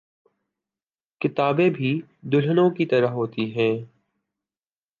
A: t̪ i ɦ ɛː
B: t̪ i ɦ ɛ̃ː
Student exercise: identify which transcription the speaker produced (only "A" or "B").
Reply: B